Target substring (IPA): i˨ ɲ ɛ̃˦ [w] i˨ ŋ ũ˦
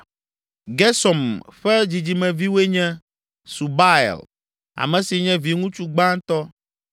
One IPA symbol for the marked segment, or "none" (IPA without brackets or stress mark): v